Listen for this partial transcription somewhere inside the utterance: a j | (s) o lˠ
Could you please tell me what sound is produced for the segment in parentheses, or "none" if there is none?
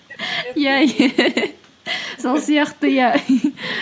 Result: s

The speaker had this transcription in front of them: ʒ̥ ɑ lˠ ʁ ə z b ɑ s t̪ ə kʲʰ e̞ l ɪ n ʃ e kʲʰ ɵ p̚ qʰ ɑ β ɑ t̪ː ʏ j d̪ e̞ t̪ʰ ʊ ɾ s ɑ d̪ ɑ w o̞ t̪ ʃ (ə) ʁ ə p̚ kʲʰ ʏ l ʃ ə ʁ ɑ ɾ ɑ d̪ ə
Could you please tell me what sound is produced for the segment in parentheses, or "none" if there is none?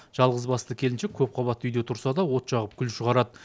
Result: ɑ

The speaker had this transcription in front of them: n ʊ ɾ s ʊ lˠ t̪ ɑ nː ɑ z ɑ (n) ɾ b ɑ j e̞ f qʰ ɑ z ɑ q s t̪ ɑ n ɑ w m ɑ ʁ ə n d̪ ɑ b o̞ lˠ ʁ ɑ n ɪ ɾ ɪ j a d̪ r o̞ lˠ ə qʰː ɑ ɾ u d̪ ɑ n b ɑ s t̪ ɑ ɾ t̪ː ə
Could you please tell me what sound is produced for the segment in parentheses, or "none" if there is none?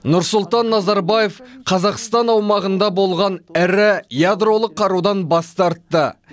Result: none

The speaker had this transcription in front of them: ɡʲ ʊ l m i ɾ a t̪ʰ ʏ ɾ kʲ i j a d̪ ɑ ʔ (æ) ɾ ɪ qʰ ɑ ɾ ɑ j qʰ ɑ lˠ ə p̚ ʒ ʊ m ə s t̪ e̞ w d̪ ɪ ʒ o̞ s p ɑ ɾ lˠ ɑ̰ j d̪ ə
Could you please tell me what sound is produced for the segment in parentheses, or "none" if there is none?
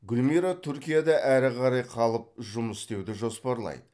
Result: æ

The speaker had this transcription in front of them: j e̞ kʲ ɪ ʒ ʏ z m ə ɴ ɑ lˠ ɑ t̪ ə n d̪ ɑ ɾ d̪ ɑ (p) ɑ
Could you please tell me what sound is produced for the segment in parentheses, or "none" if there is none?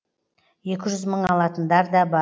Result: b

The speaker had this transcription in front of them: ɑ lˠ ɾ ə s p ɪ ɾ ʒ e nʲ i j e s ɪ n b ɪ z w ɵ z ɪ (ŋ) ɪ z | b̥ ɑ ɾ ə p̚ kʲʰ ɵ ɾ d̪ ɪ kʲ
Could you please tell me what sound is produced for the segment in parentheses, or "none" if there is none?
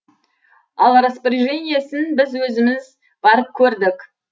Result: m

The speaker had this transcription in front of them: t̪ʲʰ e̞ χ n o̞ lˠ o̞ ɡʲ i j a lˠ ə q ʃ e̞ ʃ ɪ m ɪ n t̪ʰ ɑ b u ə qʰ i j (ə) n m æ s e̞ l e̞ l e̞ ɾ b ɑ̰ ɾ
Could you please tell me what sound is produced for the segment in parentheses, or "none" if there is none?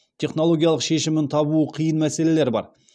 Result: ə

